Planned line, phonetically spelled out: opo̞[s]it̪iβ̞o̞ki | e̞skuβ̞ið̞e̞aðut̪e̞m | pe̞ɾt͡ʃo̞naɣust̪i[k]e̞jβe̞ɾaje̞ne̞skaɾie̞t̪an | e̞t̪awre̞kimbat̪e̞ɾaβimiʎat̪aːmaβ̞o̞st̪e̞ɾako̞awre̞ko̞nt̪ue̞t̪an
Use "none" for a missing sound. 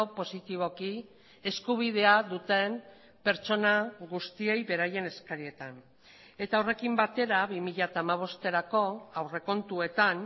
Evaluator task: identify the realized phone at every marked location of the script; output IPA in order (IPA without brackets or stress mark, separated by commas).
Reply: s, none